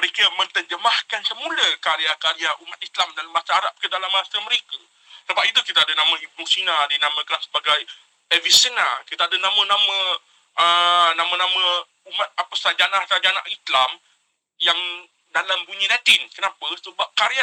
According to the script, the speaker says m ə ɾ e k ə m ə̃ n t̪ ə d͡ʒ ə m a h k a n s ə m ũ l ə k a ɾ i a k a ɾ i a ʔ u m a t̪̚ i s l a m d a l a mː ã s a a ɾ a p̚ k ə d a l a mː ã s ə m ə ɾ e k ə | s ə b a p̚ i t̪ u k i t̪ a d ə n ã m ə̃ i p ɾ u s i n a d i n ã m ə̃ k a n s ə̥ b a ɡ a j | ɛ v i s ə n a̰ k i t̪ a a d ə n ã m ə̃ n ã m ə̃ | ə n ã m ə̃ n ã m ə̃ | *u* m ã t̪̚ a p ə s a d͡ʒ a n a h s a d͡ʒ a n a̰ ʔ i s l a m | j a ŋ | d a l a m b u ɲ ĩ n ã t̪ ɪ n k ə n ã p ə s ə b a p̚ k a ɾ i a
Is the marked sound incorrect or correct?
correct